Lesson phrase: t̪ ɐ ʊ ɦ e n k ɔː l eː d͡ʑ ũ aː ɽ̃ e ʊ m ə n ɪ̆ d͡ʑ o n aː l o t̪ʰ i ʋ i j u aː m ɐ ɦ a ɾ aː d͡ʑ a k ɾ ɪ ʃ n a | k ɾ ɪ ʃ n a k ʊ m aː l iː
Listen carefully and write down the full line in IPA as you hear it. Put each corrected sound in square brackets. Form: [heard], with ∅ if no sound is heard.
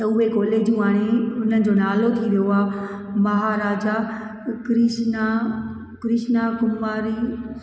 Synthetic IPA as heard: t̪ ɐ ʊ ɦ e [∅] k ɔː l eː d͡ʑ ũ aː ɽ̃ e ʊ [n] ə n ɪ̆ d͡ʑ o n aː l o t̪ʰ i ʋ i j [o] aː m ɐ ɦ a ɾ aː d͡ʑ a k ɾ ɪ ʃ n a | k ɾ ɪ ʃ n a k ʊ m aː [ɾ] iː